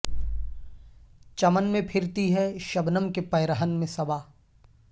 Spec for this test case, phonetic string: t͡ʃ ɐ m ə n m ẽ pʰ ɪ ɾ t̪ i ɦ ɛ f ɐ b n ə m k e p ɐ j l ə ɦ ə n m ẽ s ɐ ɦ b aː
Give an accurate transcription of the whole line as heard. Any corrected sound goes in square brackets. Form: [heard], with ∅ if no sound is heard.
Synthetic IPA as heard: t͡ʃ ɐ m ə n m ẽ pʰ ɪ ɾ t̪ i ɦ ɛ [ʃ] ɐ b n ə m k e p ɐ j [ɾ] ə ɦ ə n m ẽ s ɐ [∅] b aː

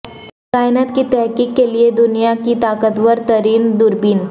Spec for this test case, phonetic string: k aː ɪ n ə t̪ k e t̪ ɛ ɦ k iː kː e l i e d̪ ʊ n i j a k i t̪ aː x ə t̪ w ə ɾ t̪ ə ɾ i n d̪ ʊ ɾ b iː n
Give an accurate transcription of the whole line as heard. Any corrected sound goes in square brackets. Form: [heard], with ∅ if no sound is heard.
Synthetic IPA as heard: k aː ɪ n ə t̪ k [i] t̪ ɛ ɦ k iː kː e l i e d̪ ʊ n i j a k i t̪ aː [k] ə t̪ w ə ɾ t̪ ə ɾ [iː] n d̪ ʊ ɾ b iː n

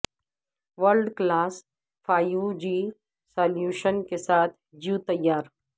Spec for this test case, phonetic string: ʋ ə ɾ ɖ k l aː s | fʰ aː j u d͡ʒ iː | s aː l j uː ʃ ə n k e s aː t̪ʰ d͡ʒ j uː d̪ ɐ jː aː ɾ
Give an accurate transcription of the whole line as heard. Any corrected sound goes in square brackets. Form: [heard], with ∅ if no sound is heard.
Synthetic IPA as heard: ʋ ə ɾ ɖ k l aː s | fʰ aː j u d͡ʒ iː | s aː l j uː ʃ ə n k e s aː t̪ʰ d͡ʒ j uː [t̪] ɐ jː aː ɾ

